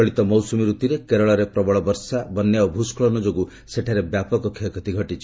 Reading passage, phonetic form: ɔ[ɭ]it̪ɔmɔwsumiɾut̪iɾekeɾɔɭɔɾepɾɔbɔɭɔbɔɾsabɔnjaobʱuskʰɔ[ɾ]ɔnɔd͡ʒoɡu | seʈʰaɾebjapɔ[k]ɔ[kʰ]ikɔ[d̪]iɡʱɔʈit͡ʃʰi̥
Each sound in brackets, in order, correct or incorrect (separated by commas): correct, incorrect, correct, correct, incorrect